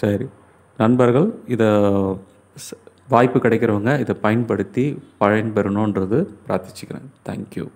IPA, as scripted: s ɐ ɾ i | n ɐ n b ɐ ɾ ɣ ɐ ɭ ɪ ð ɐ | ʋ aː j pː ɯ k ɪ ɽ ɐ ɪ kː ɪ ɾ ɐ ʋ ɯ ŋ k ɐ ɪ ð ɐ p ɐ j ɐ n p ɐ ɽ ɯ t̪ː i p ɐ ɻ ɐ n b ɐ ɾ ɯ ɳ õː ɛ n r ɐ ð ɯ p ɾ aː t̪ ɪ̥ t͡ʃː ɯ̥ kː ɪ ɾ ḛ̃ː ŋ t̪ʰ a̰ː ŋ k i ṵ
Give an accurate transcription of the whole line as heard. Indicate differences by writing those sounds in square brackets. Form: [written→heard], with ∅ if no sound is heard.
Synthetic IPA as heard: s ɐ ɾ i | n ɐ n b ɐ ɾ ɣ ɐ ɭ ɪ ð ɐ | ʋ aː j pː ɯ k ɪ ɽ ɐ ɪ kː ɪ ɾ ɐ ʋ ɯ ŋ [k→ɡ] ɐ ɪ ð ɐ p ɐ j ɐ n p ɐ ɽ ɯ t̪ː i p ɐ ɻ ɐ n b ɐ ɾ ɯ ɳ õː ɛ n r ɐ ð ɯ p ɾ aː t̪ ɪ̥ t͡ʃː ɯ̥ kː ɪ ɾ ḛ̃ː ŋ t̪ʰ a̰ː ŋ k [i→j] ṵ